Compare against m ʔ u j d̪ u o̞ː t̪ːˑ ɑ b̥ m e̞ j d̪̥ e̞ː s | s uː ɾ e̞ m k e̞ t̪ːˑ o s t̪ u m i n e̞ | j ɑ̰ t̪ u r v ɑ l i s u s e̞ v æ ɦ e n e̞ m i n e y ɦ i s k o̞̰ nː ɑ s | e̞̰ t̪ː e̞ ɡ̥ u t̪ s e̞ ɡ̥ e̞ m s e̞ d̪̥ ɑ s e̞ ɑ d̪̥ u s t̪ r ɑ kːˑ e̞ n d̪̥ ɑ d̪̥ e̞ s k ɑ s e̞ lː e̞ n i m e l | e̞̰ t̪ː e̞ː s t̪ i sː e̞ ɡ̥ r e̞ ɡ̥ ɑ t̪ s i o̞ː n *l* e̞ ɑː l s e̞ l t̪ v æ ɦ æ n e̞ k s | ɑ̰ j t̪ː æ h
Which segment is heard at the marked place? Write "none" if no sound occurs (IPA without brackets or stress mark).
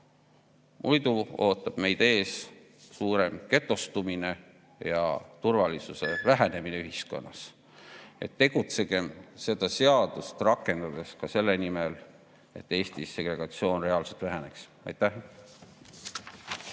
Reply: r